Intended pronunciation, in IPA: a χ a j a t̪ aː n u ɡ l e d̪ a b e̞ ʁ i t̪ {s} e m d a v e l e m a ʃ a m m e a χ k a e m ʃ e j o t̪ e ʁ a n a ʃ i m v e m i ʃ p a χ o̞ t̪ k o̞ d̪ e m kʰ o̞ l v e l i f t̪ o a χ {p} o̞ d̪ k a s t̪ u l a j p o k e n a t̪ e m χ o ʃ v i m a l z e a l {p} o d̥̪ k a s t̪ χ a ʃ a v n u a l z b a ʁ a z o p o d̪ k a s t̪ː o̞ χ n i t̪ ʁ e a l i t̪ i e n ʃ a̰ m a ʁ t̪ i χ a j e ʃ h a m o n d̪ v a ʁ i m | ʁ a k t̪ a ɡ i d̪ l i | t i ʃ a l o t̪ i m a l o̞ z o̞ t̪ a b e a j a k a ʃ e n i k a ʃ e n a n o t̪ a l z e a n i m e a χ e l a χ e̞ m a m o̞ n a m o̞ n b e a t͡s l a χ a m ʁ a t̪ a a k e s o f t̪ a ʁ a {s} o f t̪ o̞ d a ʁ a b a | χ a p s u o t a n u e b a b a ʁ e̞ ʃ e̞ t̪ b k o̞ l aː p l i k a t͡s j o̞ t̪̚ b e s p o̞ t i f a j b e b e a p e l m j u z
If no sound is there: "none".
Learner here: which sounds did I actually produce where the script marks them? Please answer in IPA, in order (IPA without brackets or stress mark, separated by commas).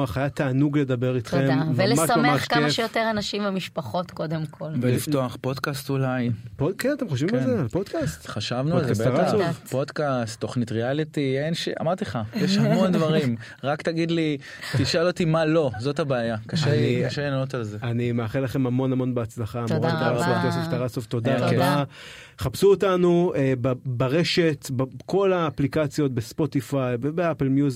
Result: χ, p, p, s